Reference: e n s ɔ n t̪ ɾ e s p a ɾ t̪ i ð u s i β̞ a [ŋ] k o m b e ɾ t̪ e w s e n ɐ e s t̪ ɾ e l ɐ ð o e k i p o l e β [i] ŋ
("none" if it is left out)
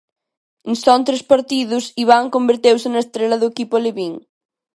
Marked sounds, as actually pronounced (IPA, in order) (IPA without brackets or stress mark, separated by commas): ŋ, i